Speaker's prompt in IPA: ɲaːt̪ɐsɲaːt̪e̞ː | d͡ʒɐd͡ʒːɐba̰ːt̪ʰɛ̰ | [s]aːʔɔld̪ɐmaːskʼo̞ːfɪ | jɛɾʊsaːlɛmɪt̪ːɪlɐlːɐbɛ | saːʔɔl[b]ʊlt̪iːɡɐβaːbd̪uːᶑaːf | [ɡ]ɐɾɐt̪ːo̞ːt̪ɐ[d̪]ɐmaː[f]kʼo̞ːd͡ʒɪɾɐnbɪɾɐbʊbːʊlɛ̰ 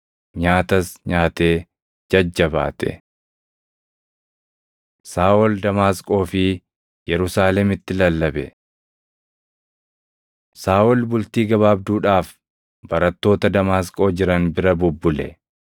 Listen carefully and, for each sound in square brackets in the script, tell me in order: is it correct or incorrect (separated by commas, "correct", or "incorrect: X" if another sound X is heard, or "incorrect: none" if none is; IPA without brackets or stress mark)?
correct, correct, incorrect: b, correct, incorrect: s